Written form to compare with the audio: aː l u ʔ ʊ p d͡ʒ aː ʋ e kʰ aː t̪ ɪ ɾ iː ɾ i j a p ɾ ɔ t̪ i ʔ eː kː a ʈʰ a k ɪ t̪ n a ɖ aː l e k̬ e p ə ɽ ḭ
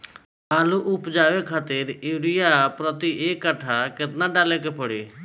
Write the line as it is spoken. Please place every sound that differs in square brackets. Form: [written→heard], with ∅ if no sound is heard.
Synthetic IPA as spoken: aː l u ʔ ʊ p d͡ʒ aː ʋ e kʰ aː t̪ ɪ ɾ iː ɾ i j a p ɾ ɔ t̪ i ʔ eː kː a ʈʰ a k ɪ t̪ n a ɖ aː l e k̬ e p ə ɽ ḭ